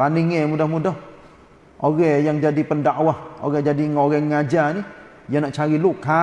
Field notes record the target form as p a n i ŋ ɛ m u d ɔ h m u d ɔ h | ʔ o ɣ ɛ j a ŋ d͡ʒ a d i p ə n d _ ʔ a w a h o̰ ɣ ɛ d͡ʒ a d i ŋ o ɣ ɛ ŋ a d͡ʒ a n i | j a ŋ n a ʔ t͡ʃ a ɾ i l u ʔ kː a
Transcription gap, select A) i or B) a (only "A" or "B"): B